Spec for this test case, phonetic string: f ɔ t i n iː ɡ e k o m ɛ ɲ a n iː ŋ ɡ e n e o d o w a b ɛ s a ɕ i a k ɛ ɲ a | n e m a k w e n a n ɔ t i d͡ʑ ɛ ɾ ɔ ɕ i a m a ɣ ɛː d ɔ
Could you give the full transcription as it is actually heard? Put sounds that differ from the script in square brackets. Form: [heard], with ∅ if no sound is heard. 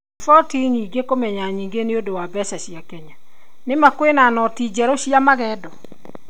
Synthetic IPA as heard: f ɔ t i [ɲ] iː ɡ e k o m ɛ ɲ a [ɲ] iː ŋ ɡ e n e o d o w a b ɛ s a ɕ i a k ɛ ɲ a | n e m a k w e n a n ɔ t i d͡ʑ ɛ ɾ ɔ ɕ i a m a ɣ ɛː d ɔ